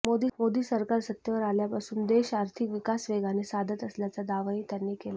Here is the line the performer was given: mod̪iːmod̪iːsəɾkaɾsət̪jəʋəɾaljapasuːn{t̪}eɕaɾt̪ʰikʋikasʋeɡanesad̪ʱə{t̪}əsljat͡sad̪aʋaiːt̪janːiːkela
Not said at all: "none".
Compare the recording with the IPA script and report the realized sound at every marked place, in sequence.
d̪, t̪

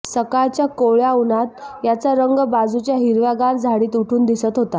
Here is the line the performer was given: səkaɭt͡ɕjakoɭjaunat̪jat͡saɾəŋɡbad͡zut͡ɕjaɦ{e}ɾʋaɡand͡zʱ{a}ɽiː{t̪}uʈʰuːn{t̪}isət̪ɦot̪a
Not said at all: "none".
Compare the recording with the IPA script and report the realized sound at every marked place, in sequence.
i, a, t̪, d̪

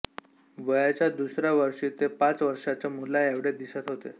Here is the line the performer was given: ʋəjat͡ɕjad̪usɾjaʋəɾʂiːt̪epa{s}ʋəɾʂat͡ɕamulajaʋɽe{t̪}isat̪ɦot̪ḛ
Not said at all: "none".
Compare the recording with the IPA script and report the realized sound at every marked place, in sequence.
t͡s, d̪

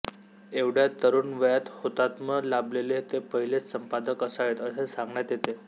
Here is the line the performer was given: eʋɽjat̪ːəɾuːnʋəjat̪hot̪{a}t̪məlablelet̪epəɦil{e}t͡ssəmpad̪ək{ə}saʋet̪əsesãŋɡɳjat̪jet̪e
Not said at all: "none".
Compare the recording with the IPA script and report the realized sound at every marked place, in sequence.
a, e, ə

